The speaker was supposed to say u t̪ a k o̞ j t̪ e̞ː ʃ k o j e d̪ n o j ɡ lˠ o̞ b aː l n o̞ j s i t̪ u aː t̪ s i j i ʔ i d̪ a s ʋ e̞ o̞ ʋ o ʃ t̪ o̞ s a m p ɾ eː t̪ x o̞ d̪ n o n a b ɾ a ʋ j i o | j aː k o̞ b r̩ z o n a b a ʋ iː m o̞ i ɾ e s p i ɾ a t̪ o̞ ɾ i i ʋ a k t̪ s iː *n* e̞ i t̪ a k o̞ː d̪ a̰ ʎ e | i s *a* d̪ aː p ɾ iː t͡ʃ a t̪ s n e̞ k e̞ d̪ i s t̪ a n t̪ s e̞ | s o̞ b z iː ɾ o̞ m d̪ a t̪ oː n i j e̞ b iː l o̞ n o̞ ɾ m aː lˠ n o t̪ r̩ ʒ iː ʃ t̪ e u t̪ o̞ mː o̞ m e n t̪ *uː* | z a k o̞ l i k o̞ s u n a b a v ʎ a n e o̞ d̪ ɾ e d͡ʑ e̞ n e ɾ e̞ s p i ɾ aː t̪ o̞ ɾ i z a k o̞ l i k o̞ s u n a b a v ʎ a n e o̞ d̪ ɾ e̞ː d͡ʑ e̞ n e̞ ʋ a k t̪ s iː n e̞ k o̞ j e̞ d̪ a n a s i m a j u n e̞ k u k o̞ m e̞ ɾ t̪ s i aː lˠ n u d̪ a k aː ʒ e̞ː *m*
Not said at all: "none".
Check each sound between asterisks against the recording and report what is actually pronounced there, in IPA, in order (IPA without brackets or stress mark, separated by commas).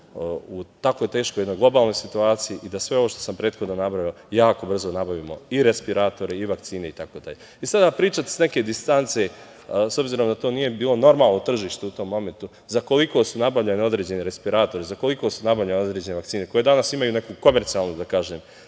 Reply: n, a, u, m